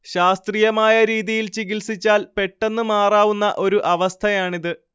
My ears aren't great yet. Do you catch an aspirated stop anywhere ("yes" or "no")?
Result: yes